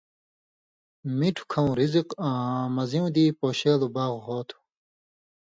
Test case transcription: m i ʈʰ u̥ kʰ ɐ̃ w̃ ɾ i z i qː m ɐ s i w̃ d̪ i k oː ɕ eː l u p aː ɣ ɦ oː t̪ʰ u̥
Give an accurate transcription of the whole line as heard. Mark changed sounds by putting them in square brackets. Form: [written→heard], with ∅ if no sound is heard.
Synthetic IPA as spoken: m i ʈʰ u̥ kʰ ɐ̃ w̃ ɾ i z i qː m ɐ [s→z] i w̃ d̪ i [k→p] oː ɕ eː l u [p→b] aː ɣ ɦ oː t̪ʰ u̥